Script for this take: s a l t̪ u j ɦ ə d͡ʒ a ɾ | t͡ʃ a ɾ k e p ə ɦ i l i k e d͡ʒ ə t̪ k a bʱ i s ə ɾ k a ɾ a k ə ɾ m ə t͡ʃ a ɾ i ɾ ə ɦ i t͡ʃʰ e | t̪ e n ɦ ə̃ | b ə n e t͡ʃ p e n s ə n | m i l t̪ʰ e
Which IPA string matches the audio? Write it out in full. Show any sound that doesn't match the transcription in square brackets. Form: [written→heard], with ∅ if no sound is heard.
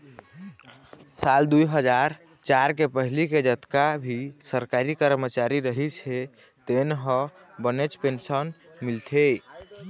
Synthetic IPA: s a l [t̪→d̪] u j ɦ ə d͡ʒ a ɾ | t͡ʃ a ɾ k e p ə ɦ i l i k e d͡ʒ ə t̪ k a bʱ i s ə ɾ k a ɾ [a→i] k ə ɾ m ə t͡ʃ a ɾ i ɾ ə ɦ i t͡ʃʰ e | t̪ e n ɦ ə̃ | b ə n e t͡ʃ p e n s ə n | m i l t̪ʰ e